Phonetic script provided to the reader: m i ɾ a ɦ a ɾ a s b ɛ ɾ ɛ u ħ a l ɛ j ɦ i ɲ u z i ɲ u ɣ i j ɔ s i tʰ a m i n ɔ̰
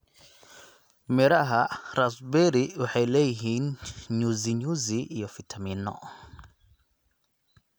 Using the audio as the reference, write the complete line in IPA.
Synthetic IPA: m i ɾ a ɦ a ɾ a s b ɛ ɾ i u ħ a l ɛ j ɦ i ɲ u z i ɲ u z i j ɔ f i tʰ a m i n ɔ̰